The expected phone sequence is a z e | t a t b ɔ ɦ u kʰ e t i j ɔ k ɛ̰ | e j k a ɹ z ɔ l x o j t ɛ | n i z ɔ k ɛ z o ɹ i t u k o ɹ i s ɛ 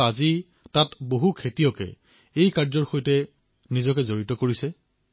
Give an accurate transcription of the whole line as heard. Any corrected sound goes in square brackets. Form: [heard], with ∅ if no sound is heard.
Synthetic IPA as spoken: a z [i] | t a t b [o] ɦ u kʰ e t i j ɔ k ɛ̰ | e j k a ɹ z ɔ [ɹ] x o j t ɛ | n i z ɔ k ɛ z o ɹ i t [ɔ] k o ɹ i s ɛ